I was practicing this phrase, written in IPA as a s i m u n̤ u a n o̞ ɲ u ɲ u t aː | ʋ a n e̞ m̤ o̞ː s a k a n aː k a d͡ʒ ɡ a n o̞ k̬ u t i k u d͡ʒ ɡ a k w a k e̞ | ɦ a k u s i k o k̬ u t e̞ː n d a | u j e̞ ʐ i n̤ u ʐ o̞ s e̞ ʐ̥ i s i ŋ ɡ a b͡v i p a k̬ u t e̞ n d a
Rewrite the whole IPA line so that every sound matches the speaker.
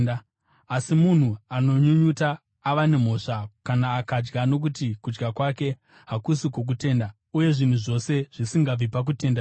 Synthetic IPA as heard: a s i m u n̤ u a n o̞ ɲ u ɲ u t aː | ʋ a n e̞ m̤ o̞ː ʂ a k a n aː k a d͡ʒ ɡ a n o̞ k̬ u t i k u d͡ʒ ɡ a k w a k e̞ | ɦ a k u s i k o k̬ u t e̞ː n d a | u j e̞ ʐ i n̤ u ʐ o̞ s e̞ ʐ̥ i s i ŋ ɡ a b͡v i p a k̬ u t e̞ n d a